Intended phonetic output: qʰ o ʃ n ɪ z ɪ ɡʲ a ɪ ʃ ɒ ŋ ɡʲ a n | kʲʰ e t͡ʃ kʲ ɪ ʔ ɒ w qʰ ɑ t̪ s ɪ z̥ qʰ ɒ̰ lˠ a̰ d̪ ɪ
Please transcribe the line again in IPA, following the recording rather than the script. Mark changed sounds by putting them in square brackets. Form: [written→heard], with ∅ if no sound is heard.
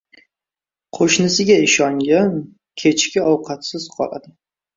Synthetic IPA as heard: qʰ o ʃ n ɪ [z→s] ɪ ɡʲ a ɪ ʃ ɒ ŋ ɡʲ a n | kʲʰ e t͡ʃ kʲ ɪ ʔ ɒ w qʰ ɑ t̪ s ɪ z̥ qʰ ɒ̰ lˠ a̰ d̪ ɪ